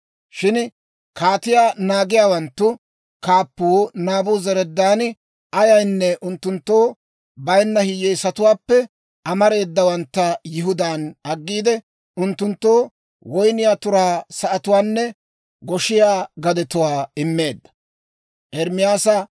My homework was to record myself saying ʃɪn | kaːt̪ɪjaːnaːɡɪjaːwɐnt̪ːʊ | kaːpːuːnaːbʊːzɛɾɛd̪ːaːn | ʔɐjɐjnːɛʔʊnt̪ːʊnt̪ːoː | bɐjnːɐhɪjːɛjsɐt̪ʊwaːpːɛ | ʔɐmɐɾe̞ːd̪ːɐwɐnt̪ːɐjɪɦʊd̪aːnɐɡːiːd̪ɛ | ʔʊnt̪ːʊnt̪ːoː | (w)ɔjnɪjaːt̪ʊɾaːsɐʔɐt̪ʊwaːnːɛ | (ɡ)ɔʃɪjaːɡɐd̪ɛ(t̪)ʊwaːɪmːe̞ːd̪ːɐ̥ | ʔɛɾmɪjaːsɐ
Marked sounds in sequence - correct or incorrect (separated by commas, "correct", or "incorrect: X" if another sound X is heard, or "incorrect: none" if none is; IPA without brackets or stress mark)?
correct, correct, correct